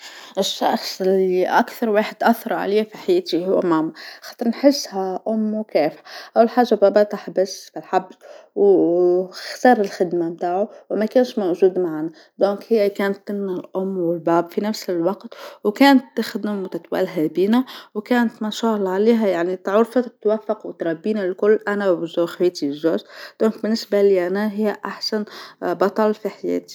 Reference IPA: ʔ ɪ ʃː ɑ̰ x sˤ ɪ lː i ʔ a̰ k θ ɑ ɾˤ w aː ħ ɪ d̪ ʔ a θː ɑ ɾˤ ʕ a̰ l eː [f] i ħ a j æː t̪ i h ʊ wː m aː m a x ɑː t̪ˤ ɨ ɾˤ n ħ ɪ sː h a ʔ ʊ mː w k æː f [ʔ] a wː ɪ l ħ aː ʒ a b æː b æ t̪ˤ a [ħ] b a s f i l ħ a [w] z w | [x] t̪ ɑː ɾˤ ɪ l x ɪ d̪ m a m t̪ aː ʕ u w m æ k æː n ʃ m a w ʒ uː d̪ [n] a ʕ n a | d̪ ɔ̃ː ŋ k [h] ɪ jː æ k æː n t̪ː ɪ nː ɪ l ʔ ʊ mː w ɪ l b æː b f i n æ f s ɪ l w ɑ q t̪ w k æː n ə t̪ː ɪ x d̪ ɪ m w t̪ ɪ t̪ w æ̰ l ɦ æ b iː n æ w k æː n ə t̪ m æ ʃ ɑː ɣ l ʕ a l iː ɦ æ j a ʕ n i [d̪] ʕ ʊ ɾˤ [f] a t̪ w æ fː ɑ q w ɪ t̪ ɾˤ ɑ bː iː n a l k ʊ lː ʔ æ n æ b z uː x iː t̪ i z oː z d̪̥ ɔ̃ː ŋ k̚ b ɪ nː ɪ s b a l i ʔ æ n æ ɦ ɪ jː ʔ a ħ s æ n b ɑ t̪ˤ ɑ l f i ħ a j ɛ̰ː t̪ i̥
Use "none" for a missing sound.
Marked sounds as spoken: f, ʔ, ħ, b, x, m, h, t̪, f

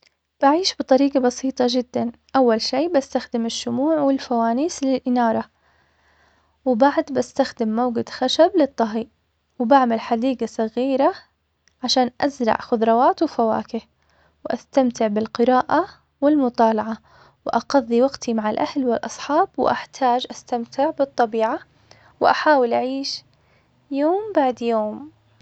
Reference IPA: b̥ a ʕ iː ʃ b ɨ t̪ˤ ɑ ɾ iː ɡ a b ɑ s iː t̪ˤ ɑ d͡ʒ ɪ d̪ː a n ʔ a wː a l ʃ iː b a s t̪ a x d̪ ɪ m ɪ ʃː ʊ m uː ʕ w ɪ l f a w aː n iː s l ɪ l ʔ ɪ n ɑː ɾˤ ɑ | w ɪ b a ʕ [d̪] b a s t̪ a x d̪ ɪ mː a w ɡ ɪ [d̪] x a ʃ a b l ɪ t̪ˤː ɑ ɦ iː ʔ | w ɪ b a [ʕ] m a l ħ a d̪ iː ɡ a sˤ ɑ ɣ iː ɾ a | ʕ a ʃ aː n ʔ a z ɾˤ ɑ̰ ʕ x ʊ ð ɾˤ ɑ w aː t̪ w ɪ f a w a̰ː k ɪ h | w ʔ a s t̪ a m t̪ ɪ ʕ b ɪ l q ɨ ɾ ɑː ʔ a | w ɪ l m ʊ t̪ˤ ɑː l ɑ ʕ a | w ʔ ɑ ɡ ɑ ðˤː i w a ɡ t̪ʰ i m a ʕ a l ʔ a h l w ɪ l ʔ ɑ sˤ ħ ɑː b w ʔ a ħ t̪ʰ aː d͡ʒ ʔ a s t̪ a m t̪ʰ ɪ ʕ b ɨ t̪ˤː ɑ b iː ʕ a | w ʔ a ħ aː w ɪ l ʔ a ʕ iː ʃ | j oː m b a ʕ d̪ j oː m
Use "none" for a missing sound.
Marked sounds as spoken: d̪, d̪, ʕ

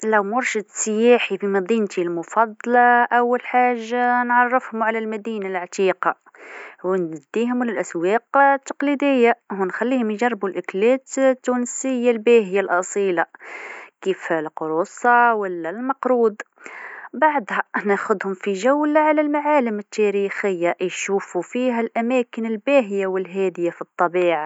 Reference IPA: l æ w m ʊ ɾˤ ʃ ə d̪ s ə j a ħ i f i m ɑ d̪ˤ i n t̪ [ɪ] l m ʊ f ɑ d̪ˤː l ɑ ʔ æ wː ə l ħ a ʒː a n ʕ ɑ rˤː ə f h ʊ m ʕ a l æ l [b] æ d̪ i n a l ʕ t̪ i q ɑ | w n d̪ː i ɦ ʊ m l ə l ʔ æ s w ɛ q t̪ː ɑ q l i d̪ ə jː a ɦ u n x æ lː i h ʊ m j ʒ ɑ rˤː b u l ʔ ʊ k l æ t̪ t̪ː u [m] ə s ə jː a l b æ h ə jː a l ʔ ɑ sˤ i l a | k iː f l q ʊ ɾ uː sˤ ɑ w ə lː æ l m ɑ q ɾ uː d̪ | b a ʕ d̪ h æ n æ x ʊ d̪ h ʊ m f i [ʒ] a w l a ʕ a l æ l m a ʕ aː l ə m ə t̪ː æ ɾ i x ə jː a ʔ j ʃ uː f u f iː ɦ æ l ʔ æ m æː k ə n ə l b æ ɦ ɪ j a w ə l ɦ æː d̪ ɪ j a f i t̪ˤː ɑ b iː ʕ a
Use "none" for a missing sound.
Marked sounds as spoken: i, m, n, ʒ

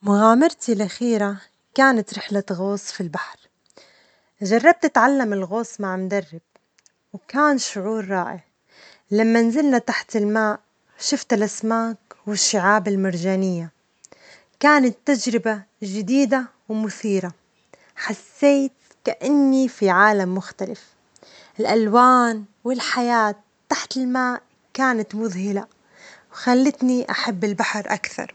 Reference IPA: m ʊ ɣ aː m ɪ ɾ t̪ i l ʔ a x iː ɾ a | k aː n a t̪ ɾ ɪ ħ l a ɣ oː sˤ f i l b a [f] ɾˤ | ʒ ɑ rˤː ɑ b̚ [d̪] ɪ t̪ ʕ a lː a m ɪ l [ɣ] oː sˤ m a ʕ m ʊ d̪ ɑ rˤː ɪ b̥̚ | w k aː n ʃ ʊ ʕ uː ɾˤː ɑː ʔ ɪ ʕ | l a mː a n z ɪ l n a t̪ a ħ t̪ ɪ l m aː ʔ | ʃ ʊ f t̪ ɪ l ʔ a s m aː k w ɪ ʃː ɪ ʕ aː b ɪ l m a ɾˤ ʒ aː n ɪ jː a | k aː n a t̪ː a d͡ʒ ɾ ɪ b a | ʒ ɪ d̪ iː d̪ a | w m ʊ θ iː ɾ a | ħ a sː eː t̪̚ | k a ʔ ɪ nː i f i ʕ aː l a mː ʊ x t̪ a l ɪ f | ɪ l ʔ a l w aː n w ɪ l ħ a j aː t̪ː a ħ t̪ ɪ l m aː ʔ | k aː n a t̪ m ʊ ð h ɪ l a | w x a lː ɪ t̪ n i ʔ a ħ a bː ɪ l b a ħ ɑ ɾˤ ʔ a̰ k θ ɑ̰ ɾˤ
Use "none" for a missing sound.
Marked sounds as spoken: ħ, t̪, ɣ

